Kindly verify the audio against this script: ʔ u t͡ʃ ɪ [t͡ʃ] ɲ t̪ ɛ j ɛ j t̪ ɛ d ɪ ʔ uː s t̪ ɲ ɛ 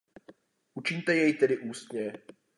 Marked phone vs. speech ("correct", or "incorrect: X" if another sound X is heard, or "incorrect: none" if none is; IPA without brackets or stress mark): incorrect: none